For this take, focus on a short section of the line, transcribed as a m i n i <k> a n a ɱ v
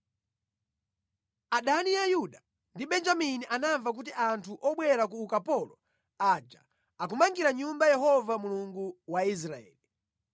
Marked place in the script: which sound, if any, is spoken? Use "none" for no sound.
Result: ʔ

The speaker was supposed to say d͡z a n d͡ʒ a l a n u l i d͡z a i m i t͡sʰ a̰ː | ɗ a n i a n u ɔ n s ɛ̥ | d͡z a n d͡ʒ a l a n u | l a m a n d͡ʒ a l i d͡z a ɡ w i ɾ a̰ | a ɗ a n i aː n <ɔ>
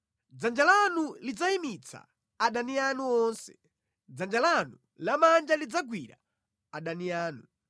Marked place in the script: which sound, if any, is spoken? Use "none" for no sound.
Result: u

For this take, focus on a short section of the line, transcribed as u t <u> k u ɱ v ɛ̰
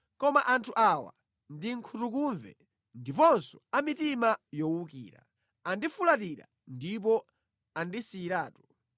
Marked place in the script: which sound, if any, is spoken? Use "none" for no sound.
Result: u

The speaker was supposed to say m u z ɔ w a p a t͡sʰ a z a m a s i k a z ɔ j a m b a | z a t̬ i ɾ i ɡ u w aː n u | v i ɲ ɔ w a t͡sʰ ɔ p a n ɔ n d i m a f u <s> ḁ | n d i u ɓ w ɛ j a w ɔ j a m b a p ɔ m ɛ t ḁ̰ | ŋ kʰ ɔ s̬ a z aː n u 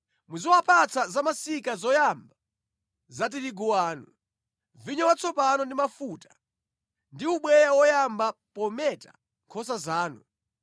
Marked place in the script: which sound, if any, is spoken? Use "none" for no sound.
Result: t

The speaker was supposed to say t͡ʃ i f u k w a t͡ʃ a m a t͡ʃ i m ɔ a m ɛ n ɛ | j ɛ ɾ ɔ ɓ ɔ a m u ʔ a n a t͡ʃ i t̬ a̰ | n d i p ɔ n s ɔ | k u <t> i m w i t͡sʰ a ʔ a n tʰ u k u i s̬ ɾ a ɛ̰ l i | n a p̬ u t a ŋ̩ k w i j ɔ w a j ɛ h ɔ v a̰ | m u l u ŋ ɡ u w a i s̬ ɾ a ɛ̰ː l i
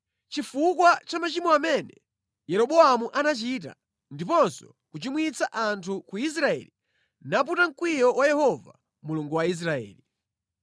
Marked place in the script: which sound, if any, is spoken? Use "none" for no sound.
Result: t͡ʃ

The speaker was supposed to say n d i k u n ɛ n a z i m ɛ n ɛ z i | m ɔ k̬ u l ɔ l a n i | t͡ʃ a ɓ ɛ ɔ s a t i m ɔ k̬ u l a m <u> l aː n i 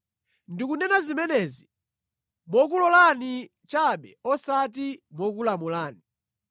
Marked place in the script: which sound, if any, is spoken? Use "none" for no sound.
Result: u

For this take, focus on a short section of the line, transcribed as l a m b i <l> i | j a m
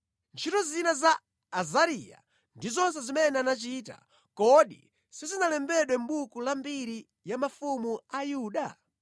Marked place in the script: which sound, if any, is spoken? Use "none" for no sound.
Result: ɾ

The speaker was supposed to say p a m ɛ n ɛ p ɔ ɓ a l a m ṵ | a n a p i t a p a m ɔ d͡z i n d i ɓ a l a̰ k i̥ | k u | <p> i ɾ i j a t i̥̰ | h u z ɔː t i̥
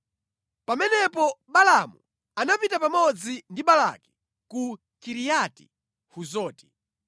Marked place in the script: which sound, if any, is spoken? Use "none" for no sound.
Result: k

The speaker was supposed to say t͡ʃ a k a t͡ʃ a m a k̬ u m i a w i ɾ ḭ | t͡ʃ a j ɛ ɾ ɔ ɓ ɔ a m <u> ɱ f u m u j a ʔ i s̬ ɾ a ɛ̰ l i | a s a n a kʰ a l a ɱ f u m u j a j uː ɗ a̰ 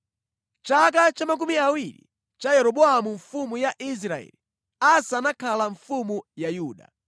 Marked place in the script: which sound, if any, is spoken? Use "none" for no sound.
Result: u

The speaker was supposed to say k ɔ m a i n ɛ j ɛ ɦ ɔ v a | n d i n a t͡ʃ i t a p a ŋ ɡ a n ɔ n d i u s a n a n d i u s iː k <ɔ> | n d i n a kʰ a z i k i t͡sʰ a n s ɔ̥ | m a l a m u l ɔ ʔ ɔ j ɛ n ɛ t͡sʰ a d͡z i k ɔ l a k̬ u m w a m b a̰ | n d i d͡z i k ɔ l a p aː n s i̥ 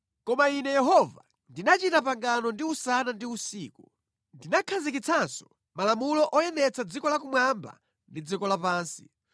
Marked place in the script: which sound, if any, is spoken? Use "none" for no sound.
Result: u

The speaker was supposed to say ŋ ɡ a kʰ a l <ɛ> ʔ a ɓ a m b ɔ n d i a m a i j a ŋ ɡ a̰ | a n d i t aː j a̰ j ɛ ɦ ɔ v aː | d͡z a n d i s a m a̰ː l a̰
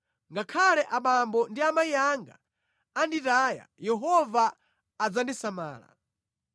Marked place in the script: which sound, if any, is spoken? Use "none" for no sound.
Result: ɛ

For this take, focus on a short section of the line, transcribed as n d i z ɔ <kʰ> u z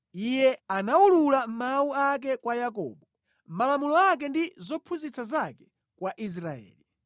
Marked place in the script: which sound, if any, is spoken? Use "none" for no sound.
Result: pʰ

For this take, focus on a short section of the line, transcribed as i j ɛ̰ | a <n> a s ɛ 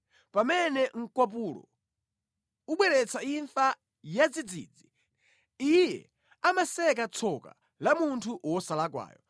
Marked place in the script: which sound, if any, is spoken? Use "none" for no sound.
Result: m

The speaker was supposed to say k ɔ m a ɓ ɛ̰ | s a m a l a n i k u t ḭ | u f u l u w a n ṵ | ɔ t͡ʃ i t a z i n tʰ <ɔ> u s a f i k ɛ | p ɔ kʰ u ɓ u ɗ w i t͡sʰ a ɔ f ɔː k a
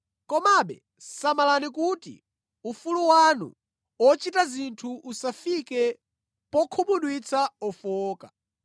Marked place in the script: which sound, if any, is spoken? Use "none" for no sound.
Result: u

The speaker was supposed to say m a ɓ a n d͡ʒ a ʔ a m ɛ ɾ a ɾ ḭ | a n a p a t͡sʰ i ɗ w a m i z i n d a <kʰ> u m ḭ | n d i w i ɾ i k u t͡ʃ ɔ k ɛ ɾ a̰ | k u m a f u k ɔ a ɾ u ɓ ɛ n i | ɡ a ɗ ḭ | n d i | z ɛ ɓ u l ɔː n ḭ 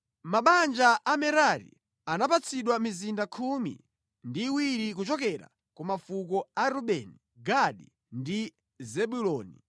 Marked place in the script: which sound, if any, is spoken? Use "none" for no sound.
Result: kʰ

